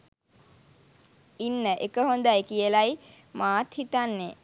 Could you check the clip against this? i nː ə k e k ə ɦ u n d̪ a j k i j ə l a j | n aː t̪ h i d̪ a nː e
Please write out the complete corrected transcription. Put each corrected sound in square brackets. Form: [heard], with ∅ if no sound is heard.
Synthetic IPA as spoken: i nː ə [ʔ] e k ə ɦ [o] n d̪ a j k i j ə l a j | [m] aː t̪ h i [t̪] a nː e